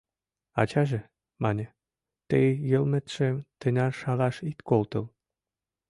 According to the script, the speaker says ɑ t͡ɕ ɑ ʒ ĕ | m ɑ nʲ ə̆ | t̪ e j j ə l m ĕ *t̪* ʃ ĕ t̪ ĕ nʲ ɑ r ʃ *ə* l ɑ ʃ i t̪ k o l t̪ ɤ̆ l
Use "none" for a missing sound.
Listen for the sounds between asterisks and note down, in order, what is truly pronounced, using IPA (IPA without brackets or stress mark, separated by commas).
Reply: t̪, ɑ